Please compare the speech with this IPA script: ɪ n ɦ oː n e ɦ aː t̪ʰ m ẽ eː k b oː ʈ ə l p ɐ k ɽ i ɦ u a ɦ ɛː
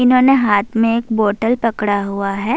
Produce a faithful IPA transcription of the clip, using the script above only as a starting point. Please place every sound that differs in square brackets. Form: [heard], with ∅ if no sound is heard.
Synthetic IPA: ɪ n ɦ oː n e ɦ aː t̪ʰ m ẽ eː k b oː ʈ ə l p ɐ k ɽ [a] ɦ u a ɦ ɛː